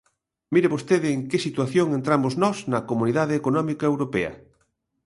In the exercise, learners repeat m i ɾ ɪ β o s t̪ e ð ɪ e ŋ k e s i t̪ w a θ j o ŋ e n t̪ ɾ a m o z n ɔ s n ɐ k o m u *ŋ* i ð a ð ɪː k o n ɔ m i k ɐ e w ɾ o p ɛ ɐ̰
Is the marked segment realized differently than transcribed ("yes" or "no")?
yes